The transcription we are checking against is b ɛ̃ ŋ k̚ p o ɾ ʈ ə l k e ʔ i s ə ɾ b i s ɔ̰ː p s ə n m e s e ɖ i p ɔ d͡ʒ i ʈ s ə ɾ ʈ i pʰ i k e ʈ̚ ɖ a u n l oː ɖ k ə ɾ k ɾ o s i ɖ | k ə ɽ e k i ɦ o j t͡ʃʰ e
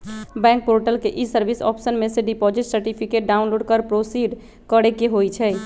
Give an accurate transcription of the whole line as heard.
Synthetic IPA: b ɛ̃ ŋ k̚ p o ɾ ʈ ə l k e ʔ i s ə ɾ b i s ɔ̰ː p s ə n m e s e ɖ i p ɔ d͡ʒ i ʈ s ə ɾ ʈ i pʰ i k e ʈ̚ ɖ a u n l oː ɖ k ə ɾ p ɾ o s i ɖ | k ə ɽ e k e ɦ o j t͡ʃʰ ɛ